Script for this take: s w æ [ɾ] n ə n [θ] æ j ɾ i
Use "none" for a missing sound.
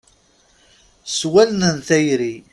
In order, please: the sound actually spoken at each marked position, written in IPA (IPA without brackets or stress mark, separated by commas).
l, θ